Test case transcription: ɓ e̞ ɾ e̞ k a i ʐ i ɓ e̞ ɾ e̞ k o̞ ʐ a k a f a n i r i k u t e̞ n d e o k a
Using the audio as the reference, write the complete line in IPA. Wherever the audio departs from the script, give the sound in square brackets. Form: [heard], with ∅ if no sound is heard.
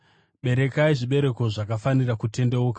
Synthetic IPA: ɓ e̞ ɾ e̞ k a i ʐ i ɓ e̞ ɾ e̞ k o̞ ʐ a k a f a n i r [a] k u t e̞ n d e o k a